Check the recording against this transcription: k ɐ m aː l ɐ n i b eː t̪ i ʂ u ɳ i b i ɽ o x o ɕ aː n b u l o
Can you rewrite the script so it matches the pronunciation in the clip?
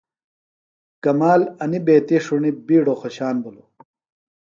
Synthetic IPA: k ɐ m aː l ɐ n i b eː t̪ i ʂ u ɳ i b iː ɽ o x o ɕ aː n b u l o